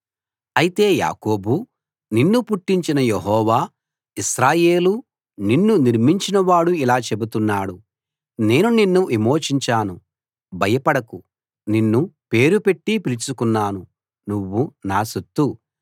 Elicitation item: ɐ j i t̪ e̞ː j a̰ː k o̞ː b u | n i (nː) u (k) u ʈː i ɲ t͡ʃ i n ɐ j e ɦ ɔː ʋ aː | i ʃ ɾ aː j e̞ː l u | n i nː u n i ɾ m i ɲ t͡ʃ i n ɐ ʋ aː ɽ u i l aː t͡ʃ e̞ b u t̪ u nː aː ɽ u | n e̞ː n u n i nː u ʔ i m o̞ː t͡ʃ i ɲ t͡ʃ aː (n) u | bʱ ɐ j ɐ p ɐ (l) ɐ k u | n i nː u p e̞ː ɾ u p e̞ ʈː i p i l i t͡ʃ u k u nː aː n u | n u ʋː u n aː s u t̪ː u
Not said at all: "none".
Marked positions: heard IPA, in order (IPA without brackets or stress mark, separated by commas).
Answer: nː, p, n, ɽ